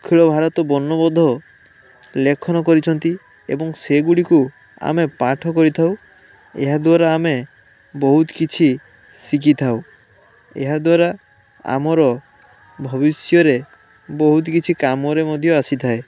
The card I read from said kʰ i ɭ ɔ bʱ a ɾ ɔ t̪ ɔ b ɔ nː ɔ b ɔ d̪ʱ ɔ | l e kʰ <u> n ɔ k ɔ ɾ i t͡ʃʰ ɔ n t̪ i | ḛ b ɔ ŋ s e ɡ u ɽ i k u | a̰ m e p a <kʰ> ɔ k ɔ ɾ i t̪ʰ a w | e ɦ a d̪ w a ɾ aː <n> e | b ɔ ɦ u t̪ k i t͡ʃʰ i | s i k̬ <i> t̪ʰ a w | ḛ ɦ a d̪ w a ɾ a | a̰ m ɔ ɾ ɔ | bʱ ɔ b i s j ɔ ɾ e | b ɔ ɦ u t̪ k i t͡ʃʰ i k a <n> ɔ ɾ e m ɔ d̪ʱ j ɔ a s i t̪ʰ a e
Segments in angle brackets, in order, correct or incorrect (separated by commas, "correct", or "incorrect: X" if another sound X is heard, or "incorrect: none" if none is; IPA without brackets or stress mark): incorrect: ɔ, incorrect: ʈʰ, incorrect: m, correct, incorrect: m